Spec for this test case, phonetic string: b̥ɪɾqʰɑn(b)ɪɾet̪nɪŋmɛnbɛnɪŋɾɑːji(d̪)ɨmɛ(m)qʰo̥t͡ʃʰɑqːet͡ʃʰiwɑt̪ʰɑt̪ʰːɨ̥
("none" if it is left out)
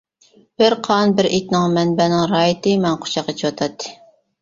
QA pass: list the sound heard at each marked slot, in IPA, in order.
b, t̪, n

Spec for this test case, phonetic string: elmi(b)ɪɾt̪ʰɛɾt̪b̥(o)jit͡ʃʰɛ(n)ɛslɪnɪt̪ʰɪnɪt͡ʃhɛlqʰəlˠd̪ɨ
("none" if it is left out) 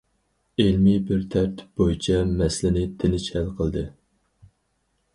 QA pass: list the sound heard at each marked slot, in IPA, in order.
b, o, m

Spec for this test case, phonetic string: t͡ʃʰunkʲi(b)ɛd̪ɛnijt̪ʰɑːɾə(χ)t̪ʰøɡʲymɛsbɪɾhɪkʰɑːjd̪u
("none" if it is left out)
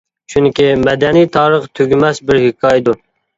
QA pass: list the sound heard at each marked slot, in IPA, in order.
m, χ

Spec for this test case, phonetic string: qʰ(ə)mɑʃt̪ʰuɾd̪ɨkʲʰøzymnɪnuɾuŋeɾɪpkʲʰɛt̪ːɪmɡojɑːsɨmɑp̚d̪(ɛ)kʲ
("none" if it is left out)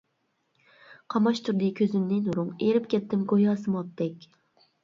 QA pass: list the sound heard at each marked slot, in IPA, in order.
ɑ, ɛ

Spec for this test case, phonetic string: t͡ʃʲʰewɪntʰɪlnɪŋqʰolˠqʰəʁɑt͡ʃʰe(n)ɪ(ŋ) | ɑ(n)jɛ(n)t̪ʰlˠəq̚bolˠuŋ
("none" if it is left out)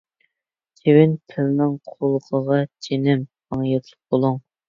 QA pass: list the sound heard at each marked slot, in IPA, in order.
n, m, ŋ, none

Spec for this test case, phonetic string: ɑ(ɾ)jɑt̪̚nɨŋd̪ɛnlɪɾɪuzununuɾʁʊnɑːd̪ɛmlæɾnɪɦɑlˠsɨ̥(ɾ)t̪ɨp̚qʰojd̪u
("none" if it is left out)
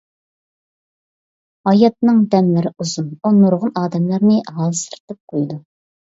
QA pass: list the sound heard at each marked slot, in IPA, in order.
none, ɾ

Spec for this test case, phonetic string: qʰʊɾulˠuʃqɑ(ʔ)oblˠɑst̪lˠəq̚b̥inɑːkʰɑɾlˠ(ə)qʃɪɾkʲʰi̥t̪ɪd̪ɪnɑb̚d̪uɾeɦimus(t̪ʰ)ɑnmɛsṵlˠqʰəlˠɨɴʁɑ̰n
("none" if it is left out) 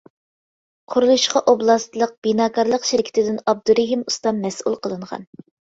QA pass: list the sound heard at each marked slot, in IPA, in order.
ʔ, ə, t̪

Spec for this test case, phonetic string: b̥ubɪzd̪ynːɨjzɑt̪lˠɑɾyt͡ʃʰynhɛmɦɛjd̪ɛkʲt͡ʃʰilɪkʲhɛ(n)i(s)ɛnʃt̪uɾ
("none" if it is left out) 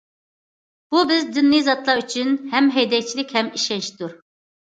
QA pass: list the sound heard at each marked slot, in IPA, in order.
m, ʃ

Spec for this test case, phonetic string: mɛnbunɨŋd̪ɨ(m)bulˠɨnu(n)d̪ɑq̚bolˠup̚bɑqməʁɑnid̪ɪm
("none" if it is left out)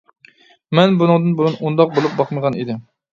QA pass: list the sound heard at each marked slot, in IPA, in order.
n, n

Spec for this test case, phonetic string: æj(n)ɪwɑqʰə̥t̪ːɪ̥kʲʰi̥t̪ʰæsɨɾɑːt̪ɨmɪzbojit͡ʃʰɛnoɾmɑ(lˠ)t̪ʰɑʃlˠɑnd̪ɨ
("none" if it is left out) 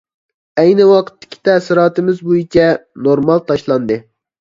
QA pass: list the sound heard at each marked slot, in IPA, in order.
n, lˠ

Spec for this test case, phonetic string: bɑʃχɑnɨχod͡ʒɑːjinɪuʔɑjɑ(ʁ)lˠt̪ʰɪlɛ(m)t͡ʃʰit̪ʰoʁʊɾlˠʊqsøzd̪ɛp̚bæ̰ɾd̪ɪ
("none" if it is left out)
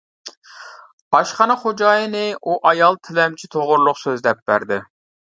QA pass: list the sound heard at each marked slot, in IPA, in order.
none, m

